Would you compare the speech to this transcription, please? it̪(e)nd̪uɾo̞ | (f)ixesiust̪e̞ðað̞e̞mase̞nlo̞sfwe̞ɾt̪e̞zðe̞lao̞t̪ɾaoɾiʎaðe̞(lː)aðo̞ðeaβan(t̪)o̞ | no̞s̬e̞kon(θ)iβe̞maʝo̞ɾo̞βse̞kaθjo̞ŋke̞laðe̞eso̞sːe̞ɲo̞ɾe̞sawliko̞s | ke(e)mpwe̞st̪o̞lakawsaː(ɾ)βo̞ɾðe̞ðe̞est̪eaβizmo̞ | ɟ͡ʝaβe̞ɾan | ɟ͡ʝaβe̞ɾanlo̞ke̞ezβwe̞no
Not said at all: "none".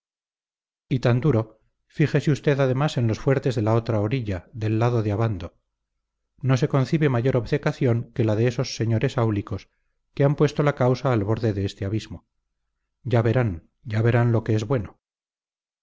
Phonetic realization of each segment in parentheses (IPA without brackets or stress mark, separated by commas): a, f, lː, d̪, θ, a, l